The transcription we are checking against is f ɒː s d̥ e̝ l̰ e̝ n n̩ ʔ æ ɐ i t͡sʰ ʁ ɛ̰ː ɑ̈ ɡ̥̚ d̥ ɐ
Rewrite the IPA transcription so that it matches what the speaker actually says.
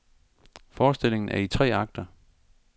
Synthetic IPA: f ɒː s d̥ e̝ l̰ e̝ ŋ n̩ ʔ æ ɐ i t͡sʰ ʁ ɛ̰ː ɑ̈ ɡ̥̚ d̥ ɐ